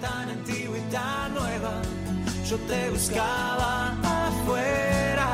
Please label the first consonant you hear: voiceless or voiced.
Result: voiceless